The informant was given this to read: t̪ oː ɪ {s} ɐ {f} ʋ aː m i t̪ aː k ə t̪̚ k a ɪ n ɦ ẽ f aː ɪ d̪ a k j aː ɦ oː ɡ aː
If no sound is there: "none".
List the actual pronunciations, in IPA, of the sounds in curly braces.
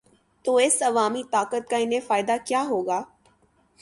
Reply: s, none

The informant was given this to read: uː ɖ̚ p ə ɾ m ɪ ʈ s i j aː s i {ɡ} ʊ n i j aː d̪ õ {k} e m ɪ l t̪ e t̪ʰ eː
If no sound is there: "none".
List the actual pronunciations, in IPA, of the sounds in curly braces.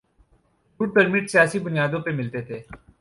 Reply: b, p

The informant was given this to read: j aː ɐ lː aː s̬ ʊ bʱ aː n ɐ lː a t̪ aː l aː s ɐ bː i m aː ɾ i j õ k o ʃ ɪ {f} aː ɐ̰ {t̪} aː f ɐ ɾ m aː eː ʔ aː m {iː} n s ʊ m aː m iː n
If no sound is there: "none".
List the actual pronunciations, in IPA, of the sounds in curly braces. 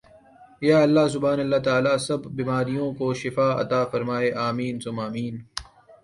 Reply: f, t̪, iː

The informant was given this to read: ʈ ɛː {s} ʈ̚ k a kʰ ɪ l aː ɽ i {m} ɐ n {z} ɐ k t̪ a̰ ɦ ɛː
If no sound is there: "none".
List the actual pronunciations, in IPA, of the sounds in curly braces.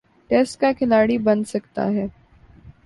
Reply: s, b, s

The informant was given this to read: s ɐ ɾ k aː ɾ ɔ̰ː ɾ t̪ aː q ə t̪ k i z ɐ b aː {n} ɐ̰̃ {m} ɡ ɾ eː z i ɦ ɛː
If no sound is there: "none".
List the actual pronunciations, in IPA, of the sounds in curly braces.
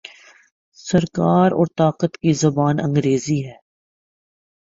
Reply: n, ŋ

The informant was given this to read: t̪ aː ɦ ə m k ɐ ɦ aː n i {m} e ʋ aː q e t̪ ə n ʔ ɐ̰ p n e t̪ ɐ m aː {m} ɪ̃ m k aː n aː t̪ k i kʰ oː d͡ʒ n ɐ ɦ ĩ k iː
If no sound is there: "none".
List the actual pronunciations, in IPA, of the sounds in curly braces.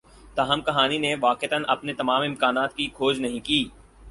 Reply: n, m

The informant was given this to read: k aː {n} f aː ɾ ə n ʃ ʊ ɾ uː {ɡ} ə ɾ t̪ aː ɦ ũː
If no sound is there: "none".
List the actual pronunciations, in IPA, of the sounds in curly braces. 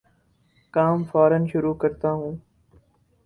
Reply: m, k

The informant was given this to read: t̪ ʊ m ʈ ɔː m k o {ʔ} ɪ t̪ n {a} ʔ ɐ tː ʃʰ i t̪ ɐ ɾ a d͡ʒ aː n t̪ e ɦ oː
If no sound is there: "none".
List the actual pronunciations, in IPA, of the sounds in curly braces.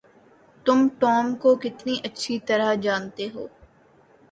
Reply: k, i

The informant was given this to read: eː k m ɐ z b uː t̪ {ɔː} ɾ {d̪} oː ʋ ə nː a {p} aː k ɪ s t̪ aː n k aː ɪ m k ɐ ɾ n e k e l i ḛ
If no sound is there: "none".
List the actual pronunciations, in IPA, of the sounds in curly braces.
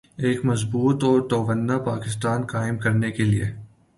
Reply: ɔː, t̪, p

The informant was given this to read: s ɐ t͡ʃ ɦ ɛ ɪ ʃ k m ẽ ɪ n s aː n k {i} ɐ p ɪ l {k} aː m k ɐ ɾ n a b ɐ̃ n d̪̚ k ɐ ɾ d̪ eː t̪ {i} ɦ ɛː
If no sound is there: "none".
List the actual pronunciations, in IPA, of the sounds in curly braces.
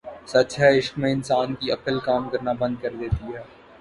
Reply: i, k, i

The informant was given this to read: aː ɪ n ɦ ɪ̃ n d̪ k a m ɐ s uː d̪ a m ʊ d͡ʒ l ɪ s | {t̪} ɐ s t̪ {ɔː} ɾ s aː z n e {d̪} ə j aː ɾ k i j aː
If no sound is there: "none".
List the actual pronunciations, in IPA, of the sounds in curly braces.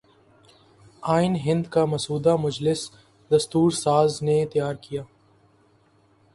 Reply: d̪, uː, t̪

